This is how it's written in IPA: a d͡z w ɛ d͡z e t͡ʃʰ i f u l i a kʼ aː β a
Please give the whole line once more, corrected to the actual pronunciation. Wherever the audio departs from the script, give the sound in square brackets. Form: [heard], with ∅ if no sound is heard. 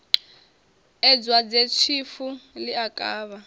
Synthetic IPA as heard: [ɛ] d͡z w [a] d͡z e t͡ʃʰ i f u l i a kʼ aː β a